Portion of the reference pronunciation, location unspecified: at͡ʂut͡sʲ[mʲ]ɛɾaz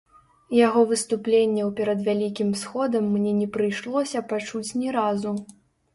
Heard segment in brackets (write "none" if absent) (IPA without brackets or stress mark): nʲ